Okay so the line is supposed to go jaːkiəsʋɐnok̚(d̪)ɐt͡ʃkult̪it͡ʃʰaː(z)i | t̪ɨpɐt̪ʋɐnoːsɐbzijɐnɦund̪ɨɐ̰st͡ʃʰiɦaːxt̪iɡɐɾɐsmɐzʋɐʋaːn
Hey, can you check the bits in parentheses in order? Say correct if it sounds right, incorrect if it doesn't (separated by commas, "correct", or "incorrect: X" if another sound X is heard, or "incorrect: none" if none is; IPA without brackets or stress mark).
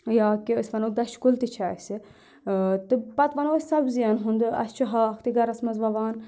correct, incorrect: s